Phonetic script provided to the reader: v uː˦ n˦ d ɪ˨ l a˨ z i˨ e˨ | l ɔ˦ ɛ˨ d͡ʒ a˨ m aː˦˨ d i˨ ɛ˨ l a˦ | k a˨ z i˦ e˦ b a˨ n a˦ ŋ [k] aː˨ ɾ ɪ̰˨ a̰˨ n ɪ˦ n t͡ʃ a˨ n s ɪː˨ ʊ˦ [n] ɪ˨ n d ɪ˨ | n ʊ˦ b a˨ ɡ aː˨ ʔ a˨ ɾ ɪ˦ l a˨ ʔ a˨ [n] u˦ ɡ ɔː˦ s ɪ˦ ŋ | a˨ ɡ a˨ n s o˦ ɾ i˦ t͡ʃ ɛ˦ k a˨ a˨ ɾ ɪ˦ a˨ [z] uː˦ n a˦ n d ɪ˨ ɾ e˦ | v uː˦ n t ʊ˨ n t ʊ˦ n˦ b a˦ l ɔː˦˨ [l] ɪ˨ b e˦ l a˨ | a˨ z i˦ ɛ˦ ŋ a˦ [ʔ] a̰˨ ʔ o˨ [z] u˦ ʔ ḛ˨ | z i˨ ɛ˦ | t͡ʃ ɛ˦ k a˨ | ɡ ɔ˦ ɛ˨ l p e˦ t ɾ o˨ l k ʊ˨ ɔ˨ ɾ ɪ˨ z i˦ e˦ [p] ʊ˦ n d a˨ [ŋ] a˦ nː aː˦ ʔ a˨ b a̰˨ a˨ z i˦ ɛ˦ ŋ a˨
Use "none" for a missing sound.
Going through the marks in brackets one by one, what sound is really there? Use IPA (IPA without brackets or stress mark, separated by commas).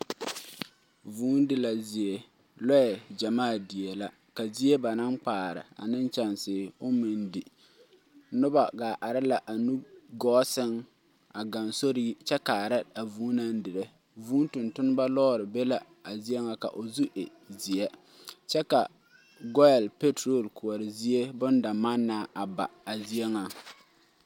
k͡p, m, n, v, ɾ, k, z, b, m